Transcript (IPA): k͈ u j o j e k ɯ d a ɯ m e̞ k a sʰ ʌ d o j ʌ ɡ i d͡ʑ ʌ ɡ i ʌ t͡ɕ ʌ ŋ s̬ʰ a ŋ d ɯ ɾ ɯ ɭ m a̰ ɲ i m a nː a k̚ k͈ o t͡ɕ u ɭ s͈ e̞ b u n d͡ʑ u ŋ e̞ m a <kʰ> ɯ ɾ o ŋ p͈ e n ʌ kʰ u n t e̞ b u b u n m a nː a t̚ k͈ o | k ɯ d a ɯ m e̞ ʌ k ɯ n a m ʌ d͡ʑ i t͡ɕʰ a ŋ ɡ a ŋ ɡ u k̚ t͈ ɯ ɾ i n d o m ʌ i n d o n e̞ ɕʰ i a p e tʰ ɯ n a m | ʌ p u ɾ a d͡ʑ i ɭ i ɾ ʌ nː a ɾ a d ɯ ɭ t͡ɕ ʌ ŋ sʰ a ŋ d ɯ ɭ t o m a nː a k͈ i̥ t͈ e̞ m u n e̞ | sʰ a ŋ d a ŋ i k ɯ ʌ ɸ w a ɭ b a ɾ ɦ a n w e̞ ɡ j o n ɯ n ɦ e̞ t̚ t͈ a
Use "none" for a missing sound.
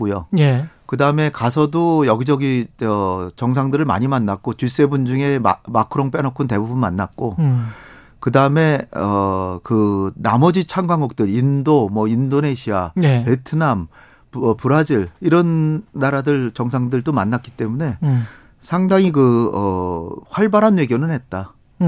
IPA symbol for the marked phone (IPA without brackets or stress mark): kʰ